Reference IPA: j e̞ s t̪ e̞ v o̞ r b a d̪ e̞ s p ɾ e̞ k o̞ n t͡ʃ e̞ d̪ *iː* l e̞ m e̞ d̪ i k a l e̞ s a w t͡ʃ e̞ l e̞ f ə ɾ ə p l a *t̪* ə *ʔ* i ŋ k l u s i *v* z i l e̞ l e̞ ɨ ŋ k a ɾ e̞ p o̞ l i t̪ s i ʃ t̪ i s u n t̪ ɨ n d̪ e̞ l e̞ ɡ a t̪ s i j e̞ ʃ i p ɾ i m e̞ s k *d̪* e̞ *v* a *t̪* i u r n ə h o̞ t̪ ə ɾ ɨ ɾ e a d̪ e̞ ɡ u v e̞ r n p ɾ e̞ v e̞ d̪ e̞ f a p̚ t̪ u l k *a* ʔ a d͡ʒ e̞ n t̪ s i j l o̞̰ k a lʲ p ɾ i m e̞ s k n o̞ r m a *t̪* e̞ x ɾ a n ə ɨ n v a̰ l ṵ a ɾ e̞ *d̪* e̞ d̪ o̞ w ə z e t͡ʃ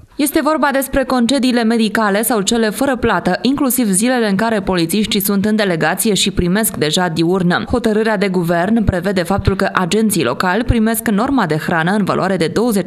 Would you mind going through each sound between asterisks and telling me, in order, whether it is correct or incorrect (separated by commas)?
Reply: correct, correct, correct, correct, correct, incorrect, incorrect, incorrect, incorrect, correct